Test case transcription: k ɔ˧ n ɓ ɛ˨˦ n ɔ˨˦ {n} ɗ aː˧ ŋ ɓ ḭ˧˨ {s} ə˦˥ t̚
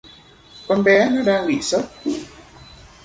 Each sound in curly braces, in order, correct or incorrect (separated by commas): incorrect, correct